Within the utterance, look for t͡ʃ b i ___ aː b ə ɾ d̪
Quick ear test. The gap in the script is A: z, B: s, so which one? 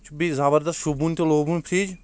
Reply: A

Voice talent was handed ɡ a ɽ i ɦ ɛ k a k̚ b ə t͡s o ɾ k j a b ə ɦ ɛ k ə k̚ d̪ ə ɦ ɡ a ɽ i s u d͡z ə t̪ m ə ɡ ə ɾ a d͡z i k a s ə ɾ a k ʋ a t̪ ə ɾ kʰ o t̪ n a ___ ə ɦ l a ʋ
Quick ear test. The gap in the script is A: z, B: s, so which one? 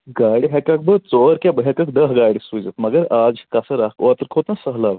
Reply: B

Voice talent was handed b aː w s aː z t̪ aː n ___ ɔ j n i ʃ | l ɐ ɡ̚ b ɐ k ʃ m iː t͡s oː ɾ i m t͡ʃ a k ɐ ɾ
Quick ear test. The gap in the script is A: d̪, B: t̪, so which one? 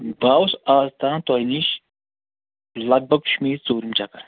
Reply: B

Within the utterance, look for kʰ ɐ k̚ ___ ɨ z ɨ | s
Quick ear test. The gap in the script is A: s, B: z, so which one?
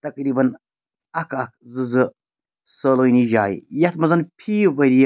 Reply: B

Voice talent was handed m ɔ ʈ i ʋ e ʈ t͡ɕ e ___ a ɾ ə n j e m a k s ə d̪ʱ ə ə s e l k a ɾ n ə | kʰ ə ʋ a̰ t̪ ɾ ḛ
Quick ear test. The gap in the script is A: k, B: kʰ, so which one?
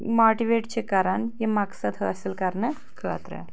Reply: A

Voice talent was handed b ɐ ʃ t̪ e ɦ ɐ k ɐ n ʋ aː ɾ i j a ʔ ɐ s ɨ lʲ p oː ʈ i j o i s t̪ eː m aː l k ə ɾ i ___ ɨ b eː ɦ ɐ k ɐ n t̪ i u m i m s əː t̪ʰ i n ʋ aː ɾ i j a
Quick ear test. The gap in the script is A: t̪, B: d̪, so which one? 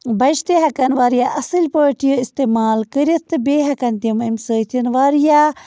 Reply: A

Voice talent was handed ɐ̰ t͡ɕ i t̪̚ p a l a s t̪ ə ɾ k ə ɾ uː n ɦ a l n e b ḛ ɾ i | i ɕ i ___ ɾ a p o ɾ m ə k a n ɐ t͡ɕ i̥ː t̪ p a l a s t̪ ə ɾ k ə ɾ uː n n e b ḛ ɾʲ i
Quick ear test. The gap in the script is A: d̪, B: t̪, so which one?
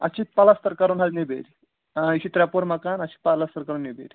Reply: B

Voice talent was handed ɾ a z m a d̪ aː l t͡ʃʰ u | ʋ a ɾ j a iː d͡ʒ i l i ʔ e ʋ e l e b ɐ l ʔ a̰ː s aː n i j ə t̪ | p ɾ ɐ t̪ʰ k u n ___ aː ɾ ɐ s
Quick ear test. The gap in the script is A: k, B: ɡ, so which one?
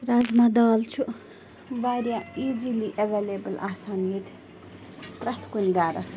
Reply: B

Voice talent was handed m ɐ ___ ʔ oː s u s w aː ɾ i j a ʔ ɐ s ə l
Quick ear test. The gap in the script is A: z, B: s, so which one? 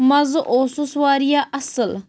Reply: A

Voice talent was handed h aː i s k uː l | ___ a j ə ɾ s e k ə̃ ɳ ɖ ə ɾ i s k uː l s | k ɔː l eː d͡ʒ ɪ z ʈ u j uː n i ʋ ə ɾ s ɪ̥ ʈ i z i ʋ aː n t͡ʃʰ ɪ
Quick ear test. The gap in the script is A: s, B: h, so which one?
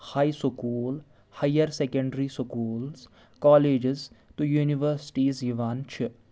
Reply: B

